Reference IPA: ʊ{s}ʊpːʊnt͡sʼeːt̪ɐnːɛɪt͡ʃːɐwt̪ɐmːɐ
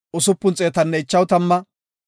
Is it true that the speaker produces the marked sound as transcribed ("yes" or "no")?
yes